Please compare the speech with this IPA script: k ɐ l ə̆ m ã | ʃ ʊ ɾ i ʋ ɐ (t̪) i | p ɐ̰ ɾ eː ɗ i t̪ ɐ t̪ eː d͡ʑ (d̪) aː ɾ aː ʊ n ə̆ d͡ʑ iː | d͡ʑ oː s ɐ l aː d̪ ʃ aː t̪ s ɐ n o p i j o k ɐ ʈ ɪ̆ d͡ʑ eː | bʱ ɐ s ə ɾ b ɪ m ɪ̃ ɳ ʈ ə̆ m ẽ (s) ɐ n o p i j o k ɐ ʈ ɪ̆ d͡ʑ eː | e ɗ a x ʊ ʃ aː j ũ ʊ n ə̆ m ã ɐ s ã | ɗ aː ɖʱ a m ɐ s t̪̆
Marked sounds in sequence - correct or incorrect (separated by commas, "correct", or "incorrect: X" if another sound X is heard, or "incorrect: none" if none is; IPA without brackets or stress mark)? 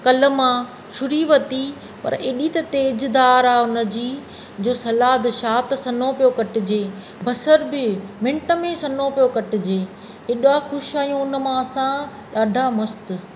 correct, correct, correct